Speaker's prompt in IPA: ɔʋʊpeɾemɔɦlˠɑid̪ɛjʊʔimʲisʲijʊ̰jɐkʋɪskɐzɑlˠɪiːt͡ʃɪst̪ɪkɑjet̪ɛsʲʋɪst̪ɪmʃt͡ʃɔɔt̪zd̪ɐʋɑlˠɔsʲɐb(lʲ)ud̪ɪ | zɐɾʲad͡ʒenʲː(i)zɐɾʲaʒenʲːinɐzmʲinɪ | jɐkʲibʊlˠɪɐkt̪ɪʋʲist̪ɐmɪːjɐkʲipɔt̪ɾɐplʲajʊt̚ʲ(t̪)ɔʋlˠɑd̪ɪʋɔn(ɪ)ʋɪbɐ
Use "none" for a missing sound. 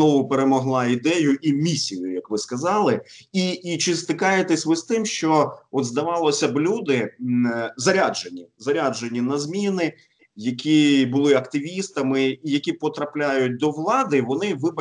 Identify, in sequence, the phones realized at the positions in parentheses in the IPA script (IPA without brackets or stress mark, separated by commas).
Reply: lʲ, i, d̪, ɪ